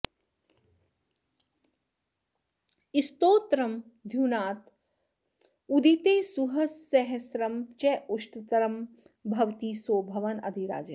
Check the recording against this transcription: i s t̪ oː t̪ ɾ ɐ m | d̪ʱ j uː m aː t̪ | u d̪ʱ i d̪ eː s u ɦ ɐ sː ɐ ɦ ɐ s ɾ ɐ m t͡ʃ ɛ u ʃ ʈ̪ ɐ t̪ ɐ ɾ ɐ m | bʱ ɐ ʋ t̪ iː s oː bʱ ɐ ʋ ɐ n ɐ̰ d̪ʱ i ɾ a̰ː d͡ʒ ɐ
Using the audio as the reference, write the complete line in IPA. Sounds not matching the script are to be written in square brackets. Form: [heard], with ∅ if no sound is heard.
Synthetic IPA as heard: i s t̪ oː t̪ ɾ ɐ m | d̪ʱ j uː [n] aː t̪ | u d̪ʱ i [t̪] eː s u ɦ ɐ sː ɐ ɦ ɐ s ɾ ɐ m t͡ʃ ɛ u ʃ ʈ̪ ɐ t̪ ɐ ɾ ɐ m | bʱ ɐ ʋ t̪ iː s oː bʱ ɐ ʋ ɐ n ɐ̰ d̪ʱ i ɾ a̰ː d͡ʒ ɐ